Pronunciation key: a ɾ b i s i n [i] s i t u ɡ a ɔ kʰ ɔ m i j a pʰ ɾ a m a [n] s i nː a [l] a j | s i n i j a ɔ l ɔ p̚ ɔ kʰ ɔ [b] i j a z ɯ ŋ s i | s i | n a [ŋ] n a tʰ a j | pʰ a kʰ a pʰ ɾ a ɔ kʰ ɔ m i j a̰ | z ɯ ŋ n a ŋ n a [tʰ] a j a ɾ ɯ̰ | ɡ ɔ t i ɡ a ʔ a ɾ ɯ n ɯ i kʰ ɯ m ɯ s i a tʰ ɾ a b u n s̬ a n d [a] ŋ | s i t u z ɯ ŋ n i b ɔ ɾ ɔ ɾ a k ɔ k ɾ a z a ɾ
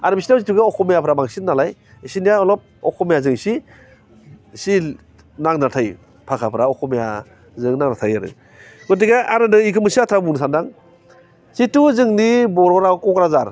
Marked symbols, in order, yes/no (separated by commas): no, no, yes, no, yes, yes, yes